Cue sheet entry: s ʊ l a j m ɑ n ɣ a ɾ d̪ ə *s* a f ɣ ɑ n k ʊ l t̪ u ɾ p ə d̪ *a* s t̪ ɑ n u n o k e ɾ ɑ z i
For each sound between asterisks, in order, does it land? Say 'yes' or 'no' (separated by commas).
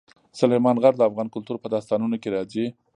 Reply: no, no